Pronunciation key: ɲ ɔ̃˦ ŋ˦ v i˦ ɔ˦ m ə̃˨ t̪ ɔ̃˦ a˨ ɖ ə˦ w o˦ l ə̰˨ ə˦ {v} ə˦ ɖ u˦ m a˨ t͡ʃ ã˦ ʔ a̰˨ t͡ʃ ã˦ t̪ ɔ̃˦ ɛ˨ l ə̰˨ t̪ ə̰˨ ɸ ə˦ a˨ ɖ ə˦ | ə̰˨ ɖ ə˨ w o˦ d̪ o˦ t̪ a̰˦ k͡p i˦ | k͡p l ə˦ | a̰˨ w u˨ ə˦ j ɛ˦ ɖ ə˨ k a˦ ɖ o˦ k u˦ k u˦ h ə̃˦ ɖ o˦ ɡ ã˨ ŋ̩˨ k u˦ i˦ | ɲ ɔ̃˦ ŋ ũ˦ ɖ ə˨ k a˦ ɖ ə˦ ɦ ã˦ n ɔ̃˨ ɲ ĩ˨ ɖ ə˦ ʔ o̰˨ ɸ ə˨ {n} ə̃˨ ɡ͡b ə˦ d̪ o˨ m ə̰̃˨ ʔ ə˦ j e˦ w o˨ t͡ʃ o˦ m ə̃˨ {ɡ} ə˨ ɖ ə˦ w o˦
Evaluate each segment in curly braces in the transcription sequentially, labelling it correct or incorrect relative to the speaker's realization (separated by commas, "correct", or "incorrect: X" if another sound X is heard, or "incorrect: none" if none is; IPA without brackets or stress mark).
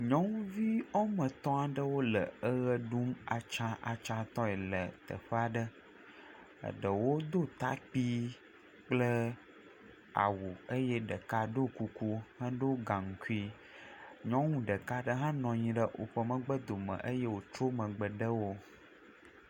incorrect: ɣ, incorrect: m, incorrect: ɡ͡b